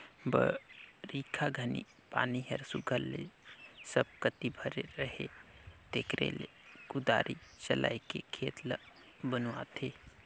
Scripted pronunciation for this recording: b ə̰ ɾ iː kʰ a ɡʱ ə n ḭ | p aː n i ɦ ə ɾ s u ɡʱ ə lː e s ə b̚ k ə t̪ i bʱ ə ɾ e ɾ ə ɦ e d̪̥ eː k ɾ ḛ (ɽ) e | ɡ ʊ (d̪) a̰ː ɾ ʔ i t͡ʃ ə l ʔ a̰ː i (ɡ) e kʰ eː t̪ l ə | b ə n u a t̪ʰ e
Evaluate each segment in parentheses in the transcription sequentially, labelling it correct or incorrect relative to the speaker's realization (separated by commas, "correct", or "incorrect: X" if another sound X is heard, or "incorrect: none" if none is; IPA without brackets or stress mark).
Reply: incorrect: l, correct, incorrect: k